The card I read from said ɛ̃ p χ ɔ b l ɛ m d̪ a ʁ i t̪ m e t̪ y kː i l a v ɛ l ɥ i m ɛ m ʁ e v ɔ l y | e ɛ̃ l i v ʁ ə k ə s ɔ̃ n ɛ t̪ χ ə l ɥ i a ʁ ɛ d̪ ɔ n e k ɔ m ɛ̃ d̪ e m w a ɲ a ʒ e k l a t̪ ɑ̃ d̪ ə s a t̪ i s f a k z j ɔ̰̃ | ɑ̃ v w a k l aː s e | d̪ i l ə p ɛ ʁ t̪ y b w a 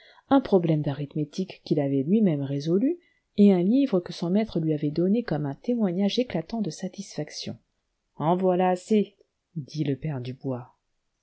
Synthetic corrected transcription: ɛ̃ p χ ɔ b l ɛ m d̪ a ʁ i t̪ m e t̪ i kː i l a v ɛ l ɥ i m ɛ m ʁ e z ɔ l y | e ɛ̃ l i v ʁ ə k ə s ɔ̃ m ɛ t̪ χ ə l ɥ i a v ɛ d̪ ɔ n e k ɔ m ɛ̃ t̪ e m w a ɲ a ʒ e k l a t̪ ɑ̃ d̪ ə s a t̪ i s f a k s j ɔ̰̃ | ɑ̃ v w a l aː s e | d̪ i l ə p ɛ ʁ d̪ y b w a